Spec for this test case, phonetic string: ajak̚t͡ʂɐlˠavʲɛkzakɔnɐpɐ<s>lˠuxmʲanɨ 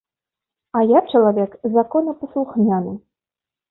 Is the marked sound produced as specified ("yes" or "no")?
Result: yes